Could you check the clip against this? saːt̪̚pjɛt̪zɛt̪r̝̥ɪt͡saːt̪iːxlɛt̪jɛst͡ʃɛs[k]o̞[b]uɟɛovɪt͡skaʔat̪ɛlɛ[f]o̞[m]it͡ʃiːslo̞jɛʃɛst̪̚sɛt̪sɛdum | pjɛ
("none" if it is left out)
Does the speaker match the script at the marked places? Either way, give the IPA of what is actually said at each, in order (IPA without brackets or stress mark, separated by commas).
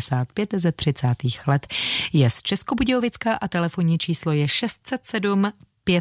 k, b, f, ɲ